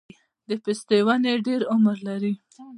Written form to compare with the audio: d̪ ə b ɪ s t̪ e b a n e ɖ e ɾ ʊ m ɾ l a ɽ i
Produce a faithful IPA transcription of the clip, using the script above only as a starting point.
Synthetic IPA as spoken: d̪ ə p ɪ s t̪ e w a n e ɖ e ɾ ʊ m ɾ l a ɾ i